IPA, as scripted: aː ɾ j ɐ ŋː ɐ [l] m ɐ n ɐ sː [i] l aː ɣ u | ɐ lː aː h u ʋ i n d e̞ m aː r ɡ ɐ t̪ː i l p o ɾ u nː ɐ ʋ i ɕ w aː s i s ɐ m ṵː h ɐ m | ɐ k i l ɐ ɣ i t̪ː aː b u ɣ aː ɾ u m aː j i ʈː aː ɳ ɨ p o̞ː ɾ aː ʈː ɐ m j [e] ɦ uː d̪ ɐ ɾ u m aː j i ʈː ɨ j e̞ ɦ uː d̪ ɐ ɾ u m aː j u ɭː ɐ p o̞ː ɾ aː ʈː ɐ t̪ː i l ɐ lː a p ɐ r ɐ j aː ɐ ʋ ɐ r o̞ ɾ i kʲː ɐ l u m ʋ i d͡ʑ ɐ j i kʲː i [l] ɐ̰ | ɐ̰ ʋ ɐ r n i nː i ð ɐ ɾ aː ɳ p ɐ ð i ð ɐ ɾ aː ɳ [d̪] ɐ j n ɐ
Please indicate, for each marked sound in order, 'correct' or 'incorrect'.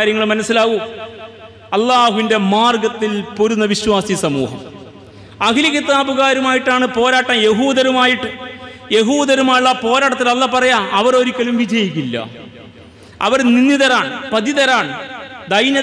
incorrect: ɭ, correct, correct, incorrect: lː, correct

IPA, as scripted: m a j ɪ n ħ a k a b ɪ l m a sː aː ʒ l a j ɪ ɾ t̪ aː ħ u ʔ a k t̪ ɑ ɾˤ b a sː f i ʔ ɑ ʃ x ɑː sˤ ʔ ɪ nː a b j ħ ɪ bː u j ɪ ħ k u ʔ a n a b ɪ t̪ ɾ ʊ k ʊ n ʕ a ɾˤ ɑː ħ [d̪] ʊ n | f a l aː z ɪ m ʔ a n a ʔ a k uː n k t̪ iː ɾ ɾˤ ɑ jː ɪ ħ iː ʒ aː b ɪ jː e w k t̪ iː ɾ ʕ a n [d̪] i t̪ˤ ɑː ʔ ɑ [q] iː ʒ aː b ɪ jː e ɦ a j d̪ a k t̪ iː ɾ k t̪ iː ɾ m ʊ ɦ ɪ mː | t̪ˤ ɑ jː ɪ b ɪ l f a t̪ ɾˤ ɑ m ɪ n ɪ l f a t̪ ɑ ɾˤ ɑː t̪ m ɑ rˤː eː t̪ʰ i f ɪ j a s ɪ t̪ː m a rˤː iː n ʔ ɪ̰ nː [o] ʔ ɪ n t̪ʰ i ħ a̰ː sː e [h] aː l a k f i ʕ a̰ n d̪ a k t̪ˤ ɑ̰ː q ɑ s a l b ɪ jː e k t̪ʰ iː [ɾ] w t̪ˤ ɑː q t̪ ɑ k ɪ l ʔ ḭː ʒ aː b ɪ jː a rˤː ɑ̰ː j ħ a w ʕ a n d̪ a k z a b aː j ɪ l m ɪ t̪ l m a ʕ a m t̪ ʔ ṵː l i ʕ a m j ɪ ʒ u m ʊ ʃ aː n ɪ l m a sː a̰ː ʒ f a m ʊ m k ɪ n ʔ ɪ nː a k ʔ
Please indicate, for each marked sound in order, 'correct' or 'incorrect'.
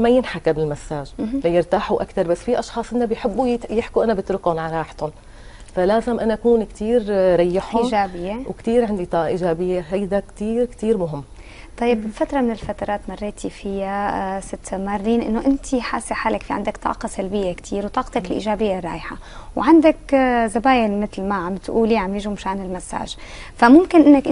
incorrect: t̪, correct, incorrect: ʔ, correct, incorrect: ħ, correct

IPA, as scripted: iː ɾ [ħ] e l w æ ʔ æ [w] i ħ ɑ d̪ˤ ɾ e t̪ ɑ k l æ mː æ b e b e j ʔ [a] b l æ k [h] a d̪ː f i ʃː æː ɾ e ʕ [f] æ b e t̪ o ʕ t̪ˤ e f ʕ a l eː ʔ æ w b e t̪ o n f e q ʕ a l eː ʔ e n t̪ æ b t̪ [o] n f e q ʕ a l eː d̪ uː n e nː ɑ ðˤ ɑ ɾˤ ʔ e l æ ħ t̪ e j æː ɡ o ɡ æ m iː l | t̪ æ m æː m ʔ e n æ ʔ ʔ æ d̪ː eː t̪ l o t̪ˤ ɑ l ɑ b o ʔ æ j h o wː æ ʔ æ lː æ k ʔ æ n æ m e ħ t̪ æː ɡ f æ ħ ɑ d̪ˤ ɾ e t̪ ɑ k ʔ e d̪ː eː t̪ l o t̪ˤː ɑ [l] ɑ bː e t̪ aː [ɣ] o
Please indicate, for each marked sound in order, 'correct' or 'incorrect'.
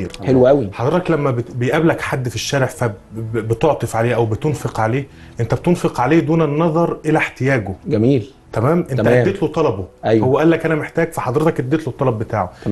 correct, correct, incorrect: æ, incorrect: ħ, correct, correct, correct, incorrect: ʕ

